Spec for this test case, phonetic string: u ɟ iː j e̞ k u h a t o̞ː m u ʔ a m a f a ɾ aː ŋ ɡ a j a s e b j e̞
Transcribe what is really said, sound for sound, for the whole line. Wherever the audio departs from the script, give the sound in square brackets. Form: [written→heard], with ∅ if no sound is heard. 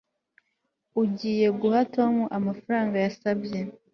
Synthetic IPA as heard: u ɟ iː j e̞ [k→ɡ] u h a t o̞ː m u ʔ a m a f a ɾ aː ŋ ɡ a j a s [e→a] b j e̞

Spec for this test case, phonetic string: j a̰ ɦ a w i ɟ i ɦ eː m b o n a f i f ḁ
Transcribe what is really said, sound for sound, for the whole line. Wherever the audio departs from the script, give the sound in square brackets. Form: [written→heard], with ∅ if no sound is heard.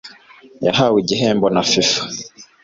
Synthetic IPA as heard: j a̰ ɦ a w i ɟ i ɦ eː m b o n a f i f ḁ

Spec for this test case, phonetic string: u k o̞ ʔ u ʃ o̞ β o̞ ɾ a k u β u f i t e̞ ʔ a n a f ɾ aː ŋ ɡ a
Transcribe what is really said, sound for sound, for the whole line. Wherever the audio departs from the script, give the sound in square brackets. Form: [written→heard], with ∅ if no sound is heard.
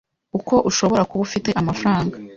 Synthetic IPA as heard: u k o̞ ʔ u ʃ o̞ β o̞ ɾ a k u β u f i t e̞ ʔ a [n→m] a f ɾ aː ŋ ɡ a

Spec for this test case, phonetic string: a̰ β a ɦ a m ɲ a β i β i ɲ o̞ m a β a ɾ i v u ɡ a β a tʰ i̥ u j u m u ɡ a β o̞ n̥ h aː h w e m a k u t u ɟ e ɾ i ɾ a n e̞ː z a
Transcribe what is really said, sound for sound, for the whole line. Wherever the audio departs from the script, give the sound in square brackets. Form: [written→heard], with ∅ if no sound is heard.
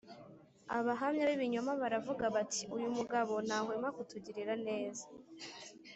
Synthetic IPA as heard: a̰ β a ɦ a m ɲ a β i β i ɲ o̞ m a β a ɾ [i→a] v u ɡ a β a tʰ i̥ u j u m u ɡ a β o̞ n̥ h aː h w e m a k u t u ɟ [e→i] ɾ i ɾ a n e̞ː z a

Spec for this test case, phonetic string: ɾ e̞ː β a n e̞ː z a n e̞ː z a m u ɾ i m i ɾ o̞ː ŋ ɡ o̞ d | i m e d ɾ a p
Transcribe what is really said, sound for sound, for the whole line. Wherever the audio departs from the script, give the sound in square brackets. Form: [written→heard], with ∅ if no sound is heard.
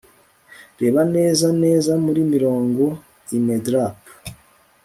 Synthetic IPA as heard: ɾ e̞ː β a n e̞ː z a n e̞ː z a m u ɾ i m i ɾ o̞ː ŋ ɡ o̞ [d→∅] | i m e d ɾ a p

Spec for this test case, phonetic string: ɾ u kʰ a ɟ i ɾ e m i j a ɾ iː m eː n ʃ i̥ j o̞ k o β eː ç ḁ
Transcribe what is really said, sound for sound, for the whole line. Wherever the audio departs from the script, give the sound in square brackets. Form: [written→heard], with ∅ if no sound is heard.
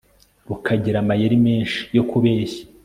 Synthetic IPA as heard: ɾ u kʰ a ɟ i ɾ [e→a] m [i→a] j [a→e] ɾ [iː→i] m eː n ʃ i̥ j o̞ k [o→u] β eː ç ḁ

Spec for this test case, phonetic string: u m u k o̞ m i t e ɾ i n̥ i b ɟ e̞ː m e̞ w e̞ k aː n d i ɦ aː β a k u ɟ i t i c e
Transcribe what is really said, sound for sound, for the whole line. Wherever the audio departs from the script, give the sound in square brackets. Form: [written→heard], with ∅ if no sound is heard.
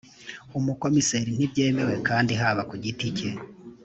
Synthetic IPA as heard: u m u k o̞ m i [t→s] e ɾ i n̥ i b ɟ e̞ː m e̞ w e̞ k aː n d i ɦ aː β a k u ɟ i t i c e

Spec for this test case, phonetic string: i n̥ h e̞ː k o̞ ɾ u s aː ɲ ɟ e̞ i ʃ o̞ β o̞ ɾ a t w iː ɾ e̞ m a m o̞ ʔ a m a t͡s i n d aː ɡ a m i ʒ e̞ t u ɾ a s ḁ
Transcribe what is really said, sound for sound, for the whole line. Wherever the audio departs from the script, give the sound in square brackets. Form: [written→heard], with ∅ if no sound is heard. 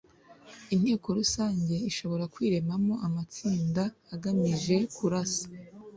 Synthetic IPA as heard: i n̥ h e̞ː k o̞ ɾ u s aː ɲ ɟ e̞ i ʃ o̞ β o̞ ɾ a [t→k] w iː ɾ e̞ m a m o̞ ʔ a m a t͡s [i→iː] n d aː ɡ a m i ʒ e̞ [t→k] u ɾ a s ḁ

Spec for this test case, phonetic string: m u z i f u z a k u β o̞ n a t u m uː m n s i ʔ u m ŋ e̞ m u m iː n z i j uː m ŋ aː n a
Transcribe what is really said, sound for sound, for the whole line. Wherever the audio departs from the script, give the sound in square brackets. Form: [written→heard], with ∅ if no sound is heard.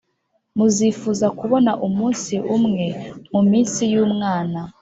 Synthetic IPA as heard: m u z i f u z a k u β o̞ n a [t→ʔ] u m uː [m→∅] n s i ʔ u m ŋ e̞ m u m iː n [z→s] i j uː m ŋ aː n a

